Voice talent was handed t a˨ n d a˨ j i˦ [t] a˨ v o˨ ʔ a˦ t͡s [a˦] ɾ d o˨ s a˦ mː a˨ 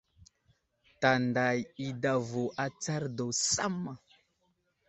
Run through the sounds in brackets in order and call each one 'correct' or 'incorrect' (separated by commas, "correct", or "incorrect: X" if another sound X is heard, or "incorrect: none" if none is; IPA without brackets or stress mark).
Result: incorrect: d, correct